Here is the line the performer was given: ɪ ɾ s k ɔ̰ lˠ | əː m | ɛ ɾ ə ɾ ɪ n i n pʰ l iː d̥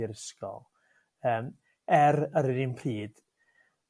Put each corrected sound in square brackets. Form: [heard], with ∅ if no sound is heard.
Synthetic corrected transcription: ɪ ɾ s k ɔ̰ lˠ | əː m | ɛ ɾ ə ɾ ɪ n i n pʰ [r] iː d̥